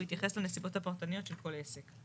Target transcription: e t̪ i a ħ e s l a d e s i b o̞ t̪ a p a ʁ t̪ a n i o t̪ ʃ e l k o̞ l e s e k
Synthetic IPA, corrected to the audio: i t̪ j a χ e s l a n e s i b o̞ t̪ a p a ʁ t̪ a n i o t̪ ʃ e l k o̞ l e s e k